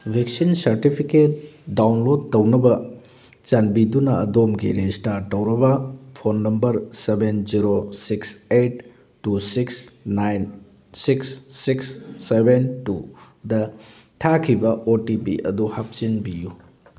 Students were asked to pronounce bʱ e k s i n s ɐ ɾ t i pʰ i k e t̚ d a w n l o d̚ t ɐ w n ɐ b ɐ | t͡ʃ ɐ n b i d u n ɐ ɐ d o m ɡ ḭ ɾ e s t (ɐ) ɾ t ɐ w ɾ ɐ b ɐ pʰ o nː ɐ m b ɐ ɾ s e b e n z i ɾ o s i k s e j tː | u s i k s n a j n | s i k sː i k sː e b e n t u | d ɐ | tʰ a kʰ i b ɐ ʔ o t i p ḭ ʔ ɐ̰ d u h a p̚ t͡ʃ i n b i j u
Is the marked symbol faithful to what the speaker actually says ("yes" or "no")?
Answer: no